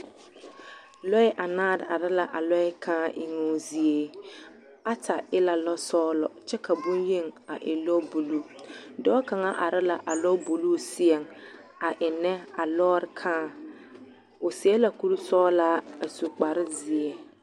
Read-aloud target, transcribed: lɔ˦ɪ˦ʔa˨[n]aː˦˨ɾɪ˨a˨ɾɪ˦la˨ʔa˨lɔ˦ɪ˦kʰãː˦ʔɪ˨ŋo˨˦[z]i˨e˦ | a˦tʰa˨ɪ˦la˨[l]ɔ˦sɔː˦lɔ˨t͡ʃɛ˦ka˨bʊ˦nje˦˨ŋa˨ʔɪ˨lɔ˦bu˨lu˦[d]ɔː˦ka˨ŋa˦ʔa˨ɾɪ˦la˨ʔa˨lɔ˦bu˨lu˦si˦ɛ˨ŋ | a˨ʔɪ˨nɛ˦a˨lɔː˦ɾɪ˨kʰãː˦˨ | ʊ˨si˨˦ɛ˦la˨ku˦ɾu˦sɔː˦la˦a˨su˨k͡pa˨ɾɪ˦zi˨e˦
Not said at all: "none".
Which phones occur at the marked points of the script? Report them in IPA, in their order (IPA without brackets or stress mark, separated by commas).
n, z, l, d